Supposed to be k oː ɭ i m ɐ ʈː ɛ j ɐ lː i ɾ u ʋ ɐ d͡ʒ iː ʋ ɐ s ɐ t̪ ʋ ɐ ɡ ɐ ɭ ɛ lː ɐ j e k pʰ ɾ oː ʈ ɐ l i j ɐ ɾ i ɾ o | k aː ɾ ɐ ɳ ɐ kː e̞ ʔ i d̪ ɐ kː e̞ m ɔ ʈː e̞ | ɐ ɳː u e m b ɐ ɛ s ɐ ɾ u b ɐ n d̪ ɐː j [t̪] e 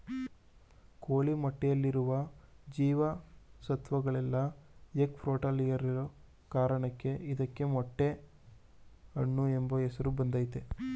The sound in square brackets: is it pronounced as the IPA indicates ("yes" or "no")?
yes